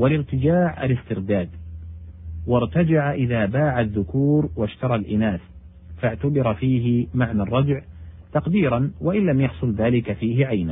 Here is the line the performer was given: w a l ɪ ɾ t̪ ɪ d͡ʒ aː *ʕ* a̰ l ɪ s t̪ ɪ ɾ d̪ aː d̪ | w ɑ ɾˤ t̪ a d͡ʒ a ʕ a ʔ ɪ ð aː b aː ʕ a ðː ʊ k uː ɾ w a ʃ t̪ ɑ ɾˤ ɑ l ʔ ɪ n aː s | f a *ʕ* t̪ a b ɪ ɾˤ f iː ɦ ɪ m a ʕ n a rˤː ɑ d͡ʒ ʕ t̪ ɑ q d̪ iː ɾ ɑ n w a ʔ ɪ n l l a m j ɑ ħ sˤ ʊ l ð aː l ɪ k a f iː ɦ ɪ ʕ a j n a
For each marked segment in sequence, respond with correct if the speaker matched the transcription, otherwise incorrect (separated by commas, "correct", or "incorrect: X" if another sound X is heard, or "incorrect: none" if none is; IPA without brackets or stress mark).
correct, correct